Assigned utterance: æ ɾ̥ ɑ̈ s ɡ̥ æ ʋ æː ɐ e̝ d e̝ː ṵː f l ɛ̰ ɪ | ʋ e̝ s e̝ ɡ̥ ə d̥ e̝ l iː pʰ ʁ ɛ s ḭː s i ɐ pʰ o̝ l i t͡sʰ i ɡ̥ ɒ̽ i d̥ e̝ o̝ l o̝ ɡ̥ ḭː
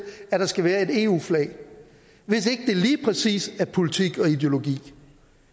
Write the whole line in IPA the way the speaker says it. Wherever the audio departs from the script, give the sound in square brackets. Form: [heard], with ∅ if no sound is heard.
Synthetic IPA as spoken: æ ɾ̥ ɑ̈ s ɡ̥ æ ʋ æː ɐ e̝ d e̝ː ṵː f l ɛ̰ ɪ | ʋ e̝ s e̝ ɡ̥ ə d̥ e̝ l iː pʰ ʁ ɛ s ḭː s [æ] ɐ pʰ o̝ l i t͡sʰ i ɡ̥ ɒ̽ i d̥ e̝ o̝ l o̝ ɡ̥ ḭː